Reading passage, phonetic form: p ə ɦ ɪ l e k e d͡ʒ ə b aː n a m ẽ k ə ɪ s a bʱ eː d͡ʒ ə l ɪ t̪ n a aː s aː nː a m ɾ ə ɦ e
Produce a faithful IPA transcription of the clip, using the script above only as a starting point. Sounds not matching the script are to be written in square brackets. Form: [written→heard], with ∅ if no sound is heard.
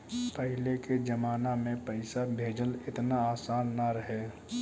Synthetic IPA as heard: p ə ɦ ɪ l e k e d͡ʒ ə [b→m] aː n a m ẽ [k→p] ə ɪ s a bʱ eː d͡ʒ ə l ɪ t̪ n a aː s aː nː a [m→∅] ɾ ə ɦ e